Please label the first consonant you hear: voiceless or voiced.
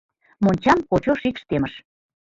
voiced